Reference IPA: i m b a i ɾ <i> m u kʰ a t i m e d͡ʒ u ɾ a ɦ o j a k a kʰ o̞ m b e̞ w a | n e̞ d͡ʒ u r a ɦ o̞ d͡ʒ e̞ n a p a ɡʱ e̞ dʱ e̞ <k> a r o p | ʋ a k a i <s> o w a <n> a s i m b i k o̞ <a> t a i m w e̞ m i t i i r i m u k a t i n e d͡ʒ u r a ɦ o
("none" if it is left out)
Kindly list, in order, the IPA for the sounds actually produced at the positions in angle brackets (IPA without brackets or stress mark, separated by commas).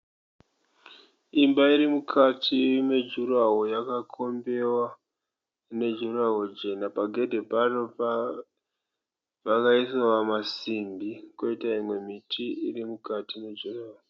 i, p, s, m, i